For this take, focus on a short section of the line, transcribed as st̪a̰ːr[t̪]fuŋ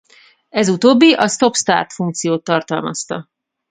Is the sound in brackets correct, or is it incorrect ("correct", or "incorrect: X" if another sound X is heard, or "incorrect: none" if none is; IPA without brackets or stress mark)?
correct